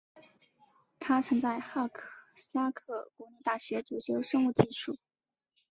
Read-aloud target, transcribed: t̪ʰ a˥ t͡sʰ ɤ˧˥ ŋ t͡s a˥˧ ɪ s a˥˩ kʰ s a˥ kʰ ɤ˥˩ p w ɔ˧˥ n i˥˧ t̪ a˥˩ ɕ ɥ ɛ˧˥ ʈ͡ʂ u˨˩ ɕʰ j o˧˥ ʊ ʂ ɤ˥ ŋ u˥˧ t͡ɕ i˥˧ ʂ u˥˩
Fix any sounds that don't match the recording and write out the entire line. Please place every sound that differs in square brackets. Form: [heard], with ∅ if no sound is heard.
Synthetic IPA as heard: t̪ʰ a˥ t͡sʰ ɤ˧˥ ŋ t͡s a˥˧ ɪ [x] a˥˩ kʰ s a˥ kʰ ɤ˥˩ [k] w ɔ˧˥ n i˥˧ t̪ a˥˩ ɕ ɥ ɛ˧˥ ʈ͡ʂ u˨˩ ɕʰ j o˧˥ ʊ ʂ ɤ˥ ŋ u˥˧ t͡ɕ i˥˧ ʂ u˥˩